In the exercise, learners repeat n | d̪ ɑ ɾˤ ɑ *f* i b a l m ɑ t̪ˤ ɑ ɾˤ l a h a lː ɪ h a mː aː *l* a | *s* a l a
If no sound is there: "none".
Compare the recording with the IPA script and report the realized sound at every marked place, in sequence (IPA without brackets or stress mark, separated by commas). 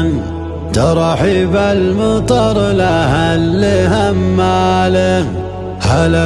ħ, l, h